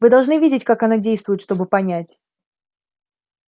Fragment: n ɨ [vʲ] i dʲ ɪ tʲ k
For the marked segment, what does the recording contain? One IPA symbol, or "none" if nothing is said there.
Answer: vʲ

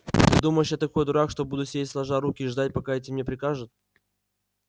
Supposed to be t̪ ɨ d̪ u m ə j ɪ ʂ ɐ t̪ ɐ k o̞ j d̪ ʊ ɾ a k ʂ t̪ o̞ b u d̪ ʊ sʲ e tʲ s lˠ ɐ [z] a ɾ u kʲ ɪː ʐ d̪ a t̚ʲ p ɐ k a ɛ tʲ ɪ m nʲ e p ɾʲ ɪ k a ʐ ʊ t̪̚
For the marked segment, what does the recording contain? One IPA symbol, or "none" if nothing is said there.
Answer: ʐ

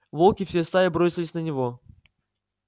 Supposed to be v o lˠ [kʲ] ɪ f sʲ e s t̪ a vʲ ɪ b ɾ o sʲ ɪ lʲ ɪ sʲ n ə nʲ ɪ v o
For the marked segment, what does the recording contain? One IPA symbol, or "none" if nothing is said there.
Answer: kʲ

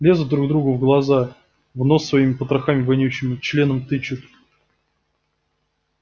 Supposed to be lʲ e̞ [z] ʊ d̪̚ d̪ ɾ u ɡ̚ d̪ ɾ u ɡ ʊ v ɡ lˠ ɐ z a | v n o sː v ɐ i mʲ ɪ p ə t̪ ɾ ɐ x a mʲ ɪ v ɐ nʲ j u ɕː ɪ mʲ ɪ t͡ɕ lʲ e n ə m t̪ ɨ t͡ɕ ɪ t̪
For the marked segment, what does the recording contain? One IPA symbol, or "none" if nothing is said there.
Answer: z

